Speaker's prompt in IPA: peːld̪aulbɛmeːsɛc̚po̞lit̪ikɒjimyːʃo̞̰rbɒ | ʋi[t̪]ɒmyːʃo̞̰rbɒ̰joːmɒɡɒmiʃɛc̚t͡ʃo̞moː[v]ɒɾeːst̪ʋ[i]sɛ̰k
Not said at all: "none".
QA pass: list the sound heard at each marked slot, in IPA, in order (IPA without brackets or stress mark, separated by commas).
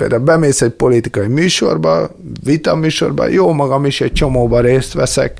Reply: t̪, b, ɛ